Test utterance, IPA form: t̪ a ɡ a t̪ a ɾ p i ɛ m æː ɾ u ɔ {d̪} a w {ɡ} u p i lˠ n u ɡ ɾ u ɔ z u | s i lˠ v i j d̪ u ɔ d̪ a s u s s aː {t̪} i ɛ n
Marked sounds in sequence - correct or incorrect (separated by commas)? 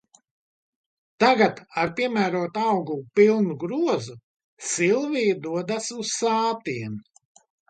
incorrect, correct, correct